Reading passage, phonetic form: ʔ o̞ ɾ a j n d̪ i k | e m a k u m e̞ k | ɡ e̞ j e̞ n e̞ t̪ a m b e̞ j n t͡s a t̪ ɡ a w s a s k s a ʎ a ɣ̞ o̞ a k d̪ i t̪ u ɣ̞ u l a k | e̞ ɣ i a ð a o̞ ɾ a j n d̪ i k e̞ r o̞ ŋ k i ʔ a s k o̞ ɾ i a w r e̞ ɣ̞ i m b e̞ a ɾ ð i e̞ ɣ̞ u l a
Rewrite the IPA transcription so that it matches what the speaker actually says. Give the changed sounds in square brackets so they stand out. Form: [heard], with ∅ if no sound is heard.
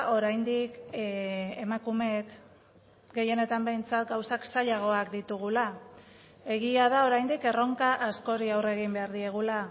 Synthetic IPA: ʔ o̞ ɾ a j n d̪ i k | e m a k u m e̞ k | ɡ e̞ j e̞ n e̞ t̪ a m b e̞ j n t͡s a t̪ ɡ a w s a [∅] k s a ʎ a ɣ̞ o̞ a k d̪ i t̪ u ɣ̞ u l a [∅] | e̞ ɣ i a ð a o̞ ɾ a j n d̪ i k e̞ r o̞ ŋ k [a] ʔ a s k o̞ ɾ i a w r e̞ ɣ̞ i m b e̞ a ɾ ð i e̞ ɣ̞ u l a